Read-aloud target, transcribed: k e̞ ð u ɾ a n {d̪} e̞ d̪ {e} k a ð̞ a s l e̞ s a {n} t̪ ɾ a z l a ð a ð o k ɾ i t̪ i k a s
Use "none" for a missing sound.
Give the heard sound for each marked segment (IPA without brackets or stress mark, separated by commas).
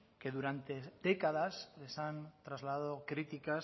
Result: t̪, e, n